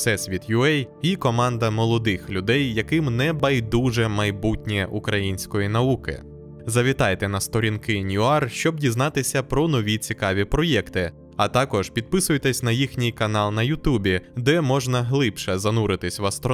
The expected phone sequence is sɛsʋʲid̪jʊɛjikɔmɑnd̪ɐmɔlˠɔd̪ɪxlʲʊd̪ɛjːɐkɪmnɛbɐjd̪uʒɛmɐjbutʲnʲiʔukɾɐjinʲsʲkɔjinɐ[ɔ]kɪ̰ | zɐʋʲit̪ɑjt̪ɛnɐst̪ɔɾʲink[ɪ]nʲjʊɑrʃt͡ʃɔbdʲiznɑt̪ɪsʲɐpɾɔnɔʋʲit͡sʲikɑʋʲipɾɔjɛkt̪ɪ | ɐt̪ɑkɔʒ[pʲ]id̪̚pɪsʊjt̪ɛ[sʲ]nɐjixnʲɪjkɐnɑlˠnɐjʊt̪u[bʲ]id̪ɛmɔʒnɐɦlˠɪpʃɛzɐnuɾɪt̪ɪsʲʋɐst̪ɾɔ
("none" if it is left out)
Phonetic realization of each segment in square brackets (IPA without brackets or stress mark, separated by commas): u, ɪ, pʲ, sʲ, bʲ